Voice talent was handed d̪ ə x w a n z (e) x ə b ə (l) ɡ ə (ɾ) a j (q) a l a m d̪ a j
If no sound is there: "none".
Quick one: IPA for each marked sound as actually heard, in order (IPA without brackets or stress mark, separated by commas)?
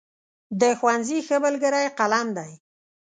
i, l, ɾ, q